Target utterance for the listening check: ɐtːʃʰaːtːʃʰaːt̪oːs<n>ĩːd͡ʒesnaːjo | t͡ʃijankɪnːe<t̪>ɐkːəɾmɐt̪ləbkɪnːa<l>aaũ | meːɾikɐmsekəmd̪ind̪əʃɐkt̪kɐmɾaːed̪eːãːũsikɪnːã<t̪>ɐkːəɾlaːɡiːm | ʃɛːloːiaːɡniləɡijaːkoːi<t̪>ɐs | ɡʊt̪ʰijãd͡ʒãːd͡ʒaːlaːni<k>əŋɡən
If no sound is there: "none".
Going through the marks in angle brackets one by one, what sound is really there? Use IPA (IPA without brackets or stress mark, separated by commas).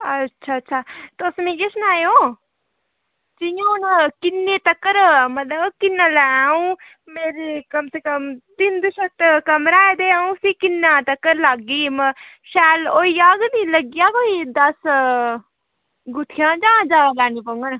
m, t̪, l, t̪, d̪, p